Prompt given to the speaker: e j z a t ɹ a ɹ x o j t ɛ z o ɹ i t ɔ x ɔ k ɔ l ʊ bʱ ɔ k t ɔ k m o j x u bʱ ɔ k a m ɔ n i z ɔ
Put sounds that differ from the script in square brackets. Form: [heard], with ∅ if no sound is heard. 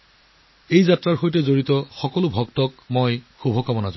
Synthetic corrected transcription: e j z a t ɹ a ɹ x o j t ɛ z o ɹ i t ɔ x ɔ k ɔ l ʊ bʱ ɔ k t ɔ k m o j x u bʱ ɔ k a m ɔ n [a] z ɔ